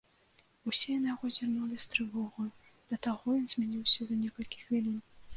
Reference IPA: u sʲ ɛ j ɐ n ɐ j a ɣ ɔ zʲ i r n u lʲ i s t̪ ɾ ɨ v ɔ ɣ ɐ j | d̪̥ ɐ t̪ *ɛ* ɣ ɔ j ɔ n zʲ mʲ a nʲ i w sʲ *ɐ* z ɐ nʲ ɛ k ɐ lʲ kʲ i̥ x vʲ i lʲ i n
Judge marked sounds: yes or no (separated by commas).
no, yes